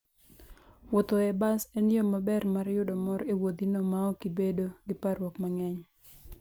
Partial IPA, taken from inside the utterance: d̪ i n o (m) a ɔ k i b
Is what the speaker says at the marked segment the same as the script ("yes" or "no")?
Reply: yes